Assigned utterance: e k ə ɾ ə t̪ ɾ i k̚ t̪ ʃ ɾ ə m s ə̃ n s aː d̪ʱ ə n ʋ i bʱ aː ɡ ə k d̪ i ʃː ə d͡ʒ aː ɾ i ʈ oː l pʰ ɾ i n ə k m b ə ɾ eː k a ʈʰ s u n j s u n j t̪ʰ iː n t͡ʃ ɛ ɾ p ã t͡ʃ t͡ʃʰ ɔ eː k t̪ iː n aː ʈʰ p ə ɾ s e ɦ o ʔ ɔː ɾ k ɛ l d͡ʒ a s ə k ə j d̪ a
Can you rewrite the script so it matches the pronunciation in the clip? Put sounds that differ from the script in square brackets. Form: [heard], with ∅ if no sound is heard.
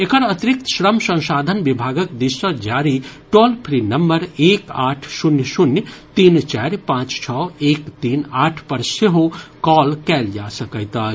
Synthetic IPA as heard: e k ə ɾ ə t̪ ɾ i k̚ t̪ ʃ ɾ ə m s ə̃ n s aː d̪ʱ ə n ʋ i bʱ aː ɡ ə k d̪ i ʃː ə d͡ʒ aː ɾ i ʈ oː l pʰ ɾ i n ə [∅] m b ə ɾ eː k a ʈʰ s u n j s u n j [t̪] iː n t͡ʃ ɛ ɾ p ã t͡ʃ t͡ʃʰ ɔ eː k t̪ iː n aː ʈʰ p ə ɾ s e ɦ o [k] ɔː [l] k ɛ l d͡ʒ a s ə k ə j [t̪] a